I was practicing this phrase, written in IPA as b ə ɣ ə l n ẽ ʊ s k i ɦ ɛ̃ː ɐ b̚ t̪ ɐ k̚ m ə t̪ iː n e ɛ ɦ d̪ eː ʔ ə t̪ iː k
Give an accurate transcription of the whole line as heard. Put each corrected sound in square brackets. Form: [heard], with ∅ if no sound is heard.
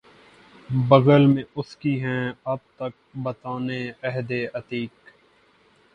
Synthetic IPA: b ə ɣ ə l [m] ẽ ʊ s k i ɦ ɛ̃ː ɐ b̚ t̪ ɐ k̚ [b] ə t̪ [aː] n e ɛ ɦ d̪ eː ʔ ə t̪ iː k